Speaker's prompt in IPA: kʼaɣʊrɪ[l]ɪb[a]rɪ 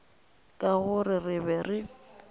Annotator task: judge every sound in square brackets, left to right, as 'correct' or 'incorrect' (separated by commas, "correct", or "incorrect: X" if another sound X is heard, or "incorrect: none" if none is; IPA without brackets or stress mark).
incorrect: r, incorrect: ɛ